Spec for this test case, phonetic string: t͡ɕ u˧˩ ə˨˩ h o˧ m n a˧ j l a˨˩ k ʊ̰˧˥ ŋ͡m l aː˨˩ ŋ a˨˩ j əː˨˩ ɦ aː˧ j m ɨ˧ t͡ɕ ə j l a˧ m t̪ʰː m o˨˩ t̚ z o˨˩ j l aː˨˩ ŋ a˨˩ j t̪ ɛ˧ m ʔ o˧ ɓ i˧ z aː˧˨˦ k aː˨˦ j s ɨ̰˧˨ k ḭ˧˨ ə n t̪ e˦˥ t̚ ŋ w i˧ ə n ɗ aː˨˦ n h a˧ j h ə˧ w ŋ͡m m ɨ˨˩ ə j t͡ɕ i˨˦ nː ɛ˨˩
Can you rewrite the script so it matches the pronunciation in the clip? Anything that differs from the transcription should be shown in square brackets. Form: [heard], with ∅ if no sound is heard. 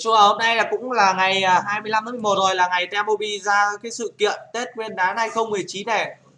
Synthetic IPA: t͡ɕ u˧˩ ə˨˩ h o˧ m n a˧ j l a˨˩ k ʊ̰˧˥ ŋ͡m l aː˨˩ ŋ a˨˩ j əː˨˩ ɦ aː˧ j m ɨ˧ [∅] ə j l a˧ m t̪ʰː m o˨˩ t̚ z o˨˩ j l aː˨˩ ŋ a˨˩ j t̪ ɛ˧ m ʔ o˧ ɓ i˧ z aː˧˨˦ k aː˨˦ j s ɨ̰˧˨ k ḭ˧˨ ə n t̪ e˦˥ t̚ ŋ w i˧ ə n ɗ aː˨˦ n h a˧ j [x] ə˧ w ŋ͡m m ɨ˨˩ ə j t͡ɕ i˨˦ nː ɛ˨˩